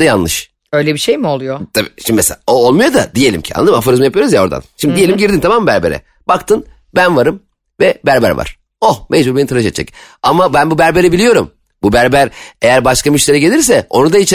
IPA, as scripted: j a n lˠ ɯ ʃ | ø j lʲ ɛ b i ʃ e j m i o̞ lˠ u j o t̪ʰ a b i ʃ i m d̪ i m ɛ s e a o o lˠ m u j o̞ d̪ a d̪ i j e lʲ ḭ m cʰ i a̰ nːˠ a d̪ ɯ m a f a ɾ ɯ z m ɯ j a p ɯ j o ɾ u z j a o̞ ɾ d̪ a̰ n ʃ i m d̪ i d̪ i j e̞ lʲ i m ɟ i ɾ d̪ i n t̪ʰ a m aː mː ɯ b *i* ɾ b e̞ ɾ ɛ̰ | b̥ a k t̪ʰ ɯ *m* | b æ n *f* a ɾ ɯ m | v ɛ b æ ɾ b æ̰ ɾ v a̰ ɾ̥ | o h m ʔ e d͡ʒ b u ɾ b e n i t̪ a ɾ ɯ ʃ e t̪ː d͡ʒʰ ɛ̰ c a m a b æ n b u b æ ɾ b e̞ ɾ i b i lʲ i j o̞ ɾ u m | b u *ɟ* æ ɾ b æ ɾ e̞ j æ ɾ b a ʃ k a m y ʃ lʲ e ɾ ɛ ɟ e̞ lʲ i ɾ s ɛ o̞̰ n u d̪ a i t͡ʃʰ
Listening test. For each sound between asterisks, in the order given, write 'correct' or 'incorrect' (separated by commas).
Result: incorrect, incorrect, incorrect, incorrect